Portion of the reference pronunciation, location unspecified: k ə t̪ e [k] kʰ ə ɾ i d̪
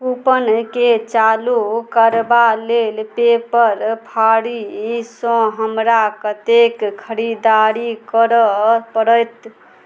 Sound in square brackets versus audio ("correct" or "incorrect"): correct